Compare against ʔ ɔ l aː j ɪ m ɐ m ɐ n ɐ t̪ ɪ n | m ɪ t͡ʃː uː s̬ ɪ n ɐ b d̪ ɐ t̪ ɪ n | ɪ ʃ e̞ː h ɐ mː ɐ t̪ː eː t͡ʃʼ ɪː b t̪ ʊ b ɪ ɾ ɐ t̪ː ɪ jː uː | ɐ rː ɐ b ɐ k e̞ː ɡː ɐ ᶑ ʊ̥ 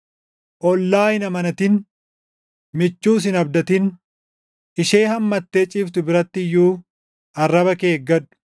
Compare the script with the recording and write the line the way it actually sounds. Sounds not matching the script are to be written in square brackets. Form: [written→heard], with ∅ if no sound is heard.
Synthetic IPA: ʔ ɔ [l→lː] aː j ɪ [m→n] ɐ m ɐ n ɐ t̪ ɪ n | m ɪ t͡ʃː uː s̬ ɪ n ɐ b d̪ ɐ t̪ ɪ n | ɪ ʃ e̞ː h ɐ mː ɐ t̪ː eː t͡ʃʼ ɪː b t̪ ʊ b ɪ ɾ ɐ t̪ː ɪ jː uː | ɐ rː ɐ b ɐ k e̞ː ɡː ɐ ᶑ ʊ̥